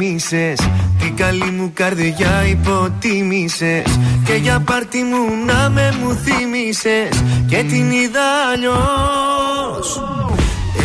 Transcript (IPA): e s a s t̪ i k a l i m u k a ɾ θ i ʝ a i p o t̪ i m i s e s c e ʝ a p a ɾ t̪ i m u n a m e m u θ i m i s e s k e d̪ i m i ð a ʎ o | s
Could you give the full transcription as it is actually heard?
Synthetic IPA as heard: i s e s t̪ i k a l i m u k a ɾ ð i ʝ a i p o t̪ i m i s e s k e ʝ a p a ɾ t̪ i m u n a m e m u θ i m i s e s k e t̪ i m i ð a ʎ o | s